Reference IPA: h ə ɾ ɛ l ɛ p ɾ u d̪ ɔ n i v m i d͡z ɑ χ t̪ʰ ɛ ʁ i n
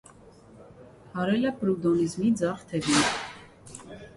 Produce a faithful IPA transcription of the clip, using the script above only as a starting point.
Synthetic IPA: h ɑ ɾ ɛ l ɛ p ɾ u d̪ ɔ n i z m i d͡z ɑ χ t̪ʰ ɛ v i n